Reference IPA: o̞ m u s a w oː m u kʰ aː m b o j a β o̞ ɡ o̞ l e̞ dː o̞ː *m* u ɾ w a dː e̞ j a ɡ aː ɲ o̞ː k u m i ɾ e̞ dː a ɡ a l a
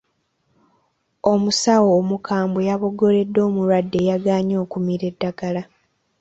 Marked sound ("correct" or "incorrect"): correct